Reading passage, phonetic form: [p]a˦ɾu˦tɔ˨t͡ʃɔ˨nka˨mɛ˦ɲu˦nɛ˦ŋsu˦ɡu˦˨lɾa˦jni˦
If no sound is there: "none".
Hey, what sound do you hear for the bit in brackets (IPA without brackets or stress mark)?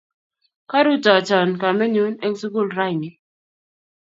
k